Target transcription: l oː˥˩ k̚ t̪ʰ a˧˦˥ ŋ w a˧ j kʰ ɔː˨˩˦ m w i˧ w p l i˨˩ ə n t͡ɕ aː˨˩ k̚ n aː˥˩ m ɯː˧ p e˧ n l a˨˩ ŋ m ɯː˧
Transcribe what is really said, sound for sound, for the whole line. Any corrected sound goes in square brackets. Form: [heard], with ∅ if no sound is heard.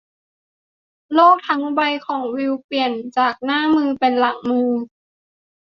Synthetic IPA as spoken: l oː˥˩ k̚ t̪ʰ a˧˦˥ ŋ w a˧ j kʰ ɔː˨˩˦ [ŋ] w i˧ w p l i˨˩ ə n t͡ɕ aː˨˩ k̚ n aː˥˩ m ɯː˧ p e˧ n l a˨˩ ŋ m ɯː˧